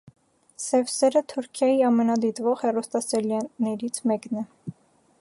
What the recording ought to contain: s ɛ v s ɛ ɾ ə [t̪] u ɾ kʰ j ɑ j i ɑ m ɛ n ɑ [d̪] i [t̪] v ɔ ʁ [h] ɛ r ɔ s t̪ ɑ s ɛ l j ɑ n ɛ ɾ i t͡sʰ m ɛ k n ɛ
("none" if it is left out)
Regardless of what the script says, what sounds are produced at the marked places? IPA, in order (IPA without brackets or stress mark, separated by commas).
t̪ʰ, d̪, t̪, h